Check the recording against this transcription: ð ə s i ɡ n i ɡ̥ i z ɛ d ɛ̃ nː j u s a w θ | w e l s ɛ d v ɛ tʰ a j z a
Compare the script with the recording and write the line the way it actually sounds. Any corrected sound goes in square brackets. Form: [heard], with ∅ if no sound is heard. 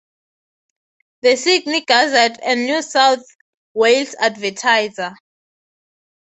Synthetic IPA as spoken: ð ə s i ɡ n i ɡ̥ [a] z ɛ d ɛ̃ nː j u s a w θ | w e l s [a] d v ɛ tʰ a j z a